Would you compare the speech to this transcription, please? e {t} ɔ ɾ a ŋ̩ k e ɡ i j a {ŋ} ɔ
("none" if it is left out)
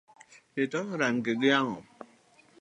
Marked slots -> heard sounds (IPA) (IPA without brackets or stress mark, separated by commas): t, ŋ